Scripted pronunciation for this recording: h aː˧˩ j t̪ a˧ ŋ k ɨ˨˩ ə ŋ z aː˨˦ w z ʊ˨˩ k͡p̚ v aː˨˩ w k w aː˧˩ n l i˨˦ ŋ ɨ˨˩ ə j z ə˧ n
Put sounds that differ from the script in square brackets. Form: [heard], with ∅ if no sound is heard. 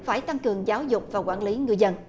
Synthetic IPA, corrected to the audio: [f] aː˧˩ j t̪ a˧ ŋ k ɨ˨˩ ə ŋ z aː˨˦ w z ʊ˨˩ k͡p̚ v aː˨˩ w k w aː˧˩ n l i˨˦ ŋ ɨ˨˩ ə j z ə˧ n